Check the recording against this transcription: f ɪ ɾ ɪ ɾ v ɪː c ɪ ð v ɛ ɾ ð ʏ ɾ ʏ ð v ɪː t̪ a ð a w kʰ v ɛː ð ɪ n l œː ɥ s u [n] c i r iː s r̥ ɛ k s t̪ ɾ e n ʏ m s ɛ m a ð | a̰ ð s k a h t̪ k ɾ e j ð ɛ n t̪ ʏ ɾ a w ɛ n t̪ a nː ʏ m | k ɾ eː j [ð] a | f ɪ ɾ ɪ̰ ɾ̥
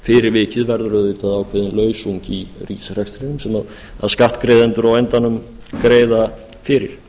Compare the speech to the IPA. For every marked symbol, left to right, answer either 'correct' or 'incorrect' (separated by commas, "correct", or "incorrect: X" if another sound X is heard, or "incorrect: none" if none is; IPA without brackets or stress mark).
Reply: incorrect: ɲ, correct